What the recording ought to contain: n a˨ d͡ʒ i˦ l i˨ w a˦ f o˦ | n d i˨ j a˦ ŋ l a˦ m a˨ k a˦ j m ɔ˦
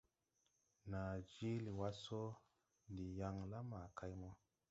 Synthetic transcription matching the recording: n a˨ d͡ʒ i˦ l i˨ w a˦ s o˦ | n d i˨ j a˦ ŋ l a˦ m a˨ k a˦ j m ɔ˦

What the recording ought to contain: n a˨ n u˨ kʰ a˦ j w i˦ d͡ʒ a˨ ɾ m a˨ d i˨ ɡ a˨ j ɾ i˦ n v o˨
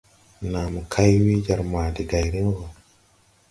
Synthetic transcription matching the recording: n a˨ m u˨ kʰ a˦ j w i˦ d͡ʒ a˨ ɾ m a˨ d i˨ ɡ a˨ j ɾ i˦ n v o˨

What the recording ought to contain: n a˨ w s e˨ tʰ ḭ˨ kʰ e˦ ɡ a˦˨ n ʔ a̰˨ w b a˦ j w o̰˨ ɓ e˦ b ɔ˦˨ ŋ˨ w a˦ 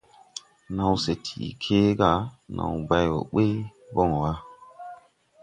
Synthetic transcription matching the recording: n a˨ w s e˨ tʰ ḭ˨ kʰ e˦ ɡ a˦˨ n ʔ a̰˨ w b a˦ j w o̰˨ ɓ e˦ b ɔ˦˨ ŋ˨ w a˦

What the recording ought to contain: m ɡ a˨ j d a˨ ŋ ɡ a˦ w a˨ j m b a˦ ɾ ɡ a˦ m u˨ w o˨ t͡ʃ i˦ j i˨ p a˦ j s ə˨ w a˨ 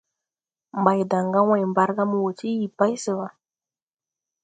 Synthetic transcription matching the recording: m b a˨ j d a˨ ŋ ɡ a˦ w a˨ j m b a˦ ɾ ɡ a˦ m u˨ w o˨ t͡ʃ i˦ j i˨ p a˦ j s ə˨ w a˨

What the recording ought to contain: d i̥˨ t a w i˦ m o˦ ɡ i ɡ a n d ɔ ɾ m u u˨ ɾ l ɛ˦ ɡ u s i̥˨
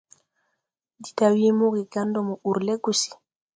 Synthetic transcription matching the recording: d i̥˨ t a w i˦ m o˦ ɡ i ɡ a n d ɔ m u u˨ ɾ l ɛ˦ ɡ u s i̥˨

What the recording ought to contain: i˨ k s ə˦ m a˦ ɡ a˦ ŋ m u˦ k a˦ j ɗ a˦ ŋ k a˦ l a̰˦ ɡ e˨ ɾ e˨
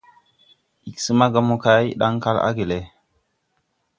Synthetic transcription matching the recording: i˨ k s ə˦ m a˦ ɡ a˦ m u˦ k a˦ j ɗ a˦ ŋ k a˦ l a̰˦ ɡ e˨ l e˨

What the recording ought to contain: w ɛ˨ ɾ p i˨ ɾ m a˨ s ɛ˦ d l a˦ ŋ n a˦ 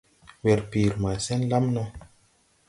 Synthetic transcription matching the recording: w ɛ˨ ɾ p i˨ ɾ m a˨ s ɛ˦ n l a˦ m n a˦

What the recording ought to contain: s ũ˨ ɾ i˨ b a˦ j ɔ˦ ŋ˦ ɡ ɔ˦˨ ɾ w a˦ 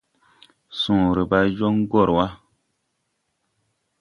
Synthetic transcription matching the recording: s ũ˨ ɾ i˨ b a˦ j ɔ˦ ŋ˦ ɡ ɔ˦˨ ɾ w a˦

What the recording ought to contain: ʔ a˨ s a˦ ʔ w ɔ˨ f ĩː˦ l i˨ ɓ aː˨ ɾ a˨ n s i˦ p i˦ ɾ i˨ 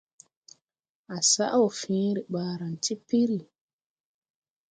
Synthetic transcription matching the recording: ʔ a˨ s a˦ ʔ w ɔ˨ f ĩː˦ ɾ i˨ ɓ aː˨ ɾ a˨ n t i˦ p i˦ ɾ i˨

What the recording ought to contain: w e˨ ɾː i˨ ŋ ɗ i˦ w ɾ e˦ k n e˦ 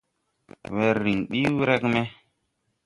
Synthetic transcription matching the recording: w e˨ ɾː i˨ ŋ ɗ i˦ w ɾ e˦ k m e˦

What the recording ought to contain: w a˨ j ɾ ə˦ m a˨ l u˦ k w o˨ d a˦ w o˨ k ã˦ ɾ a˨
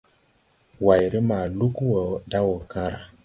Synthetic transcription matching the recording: w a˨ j ɾ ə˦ m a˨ l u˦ k w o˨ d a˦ w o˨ k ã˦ ɾ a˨

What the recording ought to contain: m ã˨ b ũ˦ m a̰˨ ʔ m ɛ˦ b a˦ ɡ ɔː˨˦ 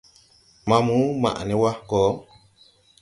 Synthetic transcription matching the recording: m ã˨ m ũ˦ m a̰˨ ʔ n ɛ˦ w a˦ k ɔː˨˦

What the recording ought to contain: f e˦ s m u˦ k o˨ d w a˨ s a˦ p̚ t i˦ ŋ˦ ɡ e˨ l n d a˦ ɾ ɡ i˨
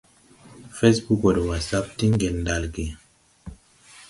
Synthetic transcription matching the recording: f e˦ s b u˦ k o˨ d w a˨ s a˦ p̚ t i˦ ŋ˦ ɡ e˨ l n d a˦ l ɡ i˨

